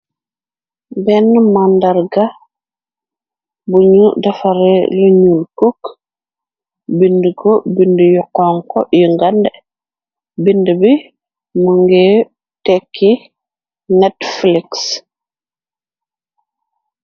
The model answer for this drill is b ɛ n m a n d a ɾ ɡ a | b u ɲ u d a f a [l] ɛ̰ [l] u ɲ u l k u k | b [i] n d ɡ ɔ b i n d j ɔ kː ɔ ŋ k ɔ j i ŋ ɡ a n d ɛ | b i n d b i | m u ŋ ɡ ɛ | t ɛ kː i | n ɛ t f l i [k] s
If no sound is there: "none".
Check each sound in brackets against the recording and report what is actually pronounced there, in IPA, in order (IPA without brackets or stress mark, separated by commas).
ɾ, l, i, k